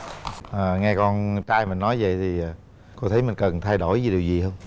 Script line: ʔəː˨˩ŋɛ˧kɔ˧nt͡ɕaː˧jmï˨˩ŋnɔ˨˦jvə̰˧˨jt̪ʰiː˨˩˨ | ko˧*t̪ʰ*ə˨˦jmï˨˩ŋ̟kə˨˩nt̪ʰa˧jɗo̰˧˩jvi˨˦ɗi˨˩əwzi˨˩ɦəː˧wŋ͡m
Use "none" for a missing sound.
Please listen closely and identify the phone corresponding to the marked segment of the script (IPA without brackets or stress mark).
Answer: t̪ʰ